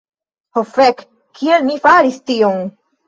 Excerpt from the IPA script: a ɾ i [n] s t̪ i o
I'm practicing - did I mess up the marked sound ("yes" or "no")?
yes